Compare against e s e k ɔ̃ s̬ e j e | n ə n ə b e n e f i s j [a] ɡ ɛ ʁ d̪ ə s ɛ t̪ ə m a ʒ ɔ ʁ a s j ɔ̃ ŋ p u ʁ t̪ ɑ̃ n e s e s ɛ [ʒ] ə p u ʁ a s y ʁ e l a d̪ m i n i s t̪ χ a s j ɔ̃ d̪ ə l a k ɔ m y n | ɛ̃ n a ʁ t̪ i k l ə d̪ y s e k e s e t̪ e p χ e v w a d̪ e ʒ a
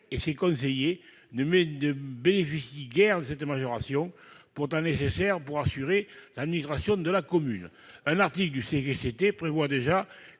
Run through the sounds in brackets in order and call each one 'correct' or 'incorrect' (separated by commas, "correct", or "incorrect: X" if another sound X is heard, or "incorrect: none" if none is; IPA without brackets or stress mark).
incorrect: i, incorrect: ʁ